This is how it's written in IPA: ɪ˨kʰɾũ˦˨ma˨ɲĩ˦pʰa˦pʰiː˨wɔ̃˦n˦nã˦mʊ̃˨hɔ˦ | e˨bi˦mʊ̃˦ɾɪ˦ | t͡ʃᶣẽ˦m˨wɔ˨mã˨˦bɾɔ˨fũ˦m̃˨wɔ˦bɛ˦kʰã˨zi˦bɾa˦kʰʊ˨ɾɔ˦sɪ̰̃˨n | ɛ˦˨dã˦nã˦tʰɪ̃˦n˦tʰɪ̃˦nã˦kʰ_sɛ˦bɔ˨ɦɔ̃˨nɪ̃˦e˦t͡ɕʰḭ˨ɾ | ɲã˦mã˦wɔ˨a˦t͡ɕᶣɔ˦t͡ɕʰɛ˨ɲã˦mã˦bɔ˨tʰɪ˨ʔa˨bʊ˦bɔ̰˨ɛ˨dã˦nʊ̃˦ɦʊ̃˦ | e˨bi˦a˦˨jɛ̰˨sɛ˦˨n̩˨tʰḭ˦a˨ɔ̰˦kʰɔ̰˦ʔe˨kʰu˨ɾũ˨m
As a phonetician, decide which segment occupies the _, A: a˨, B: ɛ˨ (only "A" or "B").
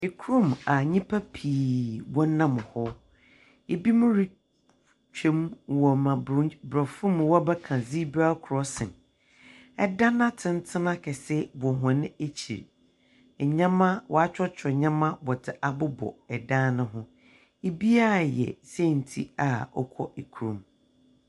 B